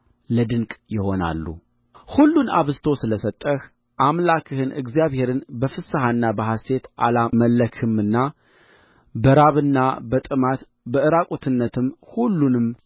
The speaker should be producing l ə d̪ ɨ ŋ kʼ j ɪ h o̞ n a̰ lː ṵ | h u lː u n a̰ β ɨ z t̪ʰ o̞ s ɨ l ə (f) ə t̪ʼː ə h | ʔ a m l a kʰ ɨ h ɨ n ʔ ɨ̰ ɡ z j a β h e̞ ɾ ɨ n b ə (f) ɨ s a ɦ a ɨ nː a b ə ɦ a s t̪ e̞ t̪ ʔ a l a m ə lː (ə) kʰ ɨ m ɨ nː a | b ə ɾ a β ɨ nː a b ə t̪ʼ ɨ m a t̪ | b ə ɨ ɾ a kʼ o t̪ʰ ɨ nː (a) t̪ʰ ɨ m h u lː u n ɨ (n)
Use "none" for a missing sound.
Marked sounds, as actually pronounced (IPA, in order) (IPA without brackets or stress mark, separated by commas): s, f, ə, ə, m